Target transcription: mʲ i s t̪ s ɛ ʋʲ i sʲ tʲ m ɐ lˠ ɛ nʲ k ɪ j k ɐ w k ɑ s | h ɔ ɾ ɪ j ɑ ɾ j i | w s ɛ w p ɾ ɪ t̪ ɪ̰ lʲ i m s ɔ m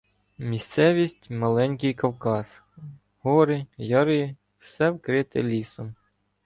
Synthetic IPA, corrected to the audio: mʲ i s t̪ s ɛ ʋʲ i sʲ tʲ m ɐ lˠ ɛ nʲ k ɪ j k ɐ w k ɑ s | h ɔ ɾ ɪ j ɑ ɾ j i | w s ɛ w k ɾ ɪ t̪ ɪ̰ lʲ i s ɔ m